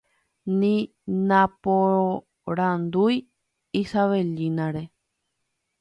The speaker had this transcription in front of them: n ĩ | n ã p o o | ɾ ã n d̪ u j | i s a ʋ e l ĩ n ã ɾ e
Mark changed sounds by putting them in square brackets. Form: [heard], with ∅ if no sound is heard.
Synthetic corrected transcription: n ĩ | n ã p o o | ɾ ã n d̪ u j | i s a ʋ e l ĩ n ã ɾ e

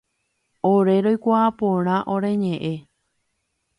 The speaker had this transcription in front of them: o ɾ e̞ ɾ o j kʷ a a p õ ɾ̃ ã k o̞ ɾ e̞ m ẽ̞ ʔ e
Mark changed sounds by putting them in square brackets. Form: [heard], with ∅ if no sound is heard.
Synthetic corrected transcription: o ɾ e̞ ɾ o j kʷ a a p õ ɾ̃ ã [ʔ] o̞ ɾ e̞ [ɲ] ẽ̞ ʔ e

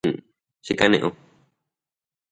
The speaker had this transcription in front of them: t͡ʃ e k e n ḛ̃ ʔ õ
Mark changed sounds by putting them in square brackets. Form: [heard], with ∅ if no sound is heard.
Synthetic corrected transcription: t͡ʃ [i] k [a] n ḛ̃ ʔ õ

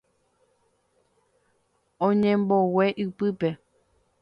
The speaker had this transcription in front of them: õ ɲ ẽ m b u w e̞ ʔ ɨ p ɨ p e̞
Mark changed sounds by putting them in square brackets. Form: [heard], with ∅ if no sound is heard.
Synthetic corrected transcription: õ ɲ ẽ m b [o] w e̞ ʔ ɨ p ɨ p e̞

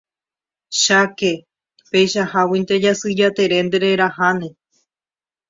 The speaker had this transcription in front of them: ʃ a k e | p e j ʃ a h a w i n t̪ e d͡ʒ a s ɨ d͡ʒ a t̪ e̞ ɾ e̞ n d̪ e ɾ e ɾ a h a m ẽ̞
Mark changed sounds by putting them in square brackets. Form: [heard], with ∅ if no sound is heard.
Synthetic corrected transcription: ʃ a k e | p e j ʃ a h a w i n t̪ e d͡ʒ a s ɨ d͡ʒ a t̪ e̞ ɾ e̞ n d̪ e ɾ e ɾ a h a [n] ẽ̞

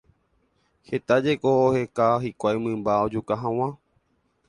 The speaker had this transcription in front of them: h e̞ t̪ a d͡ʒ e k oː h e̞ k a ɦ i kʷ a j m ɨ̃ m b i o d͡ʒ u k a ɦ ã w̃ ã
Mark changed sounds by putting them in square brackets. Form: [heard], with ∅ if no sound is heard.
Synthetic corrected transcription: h e̞ t̪ a d͡ʒ e k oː h e̞ k a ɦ i kʷ a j m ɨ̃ m b [a] o d͡ʒ u k a ɦ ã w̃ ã

